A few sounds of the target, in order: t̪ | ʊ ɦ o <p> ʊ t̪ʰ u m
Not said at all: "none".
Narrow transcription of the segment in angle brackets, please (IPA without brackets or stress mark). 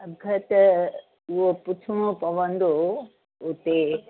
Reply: p